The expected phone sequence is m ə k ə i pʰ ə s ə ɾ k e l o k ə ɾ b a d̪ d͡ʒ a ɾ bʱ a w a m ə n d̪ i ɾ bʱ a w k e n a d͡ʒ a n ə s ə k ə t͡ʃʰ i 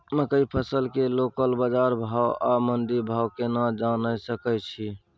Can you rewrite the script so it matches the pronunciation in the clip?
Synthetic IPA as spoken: m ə k ə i pʰ ə s ə l k e l o k ə l b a d͡ʒ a ɾ bʱ a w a m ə n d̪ i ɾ bʱ a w k e n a d͡ʒ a n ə s ə k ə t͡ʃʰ i